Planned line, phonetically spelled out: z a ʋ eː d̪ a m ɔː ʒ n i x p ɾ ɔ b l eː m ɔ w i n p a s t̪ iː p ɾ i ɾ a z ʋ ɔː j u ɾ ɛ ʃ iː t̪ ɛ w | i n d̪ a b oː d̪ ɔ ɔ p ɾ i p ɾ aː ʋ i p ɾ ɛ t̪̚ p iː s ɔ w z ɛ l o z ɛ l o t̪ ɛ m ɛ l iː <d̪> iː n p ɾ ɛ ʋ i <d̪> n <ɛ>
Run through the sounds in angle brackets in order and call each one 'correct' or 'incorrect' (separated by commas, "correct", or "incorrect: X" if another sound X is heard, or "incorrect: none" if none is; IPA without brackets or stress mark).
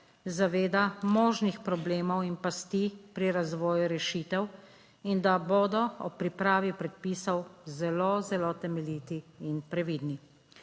incorrect: t̪, correct, incorrect: i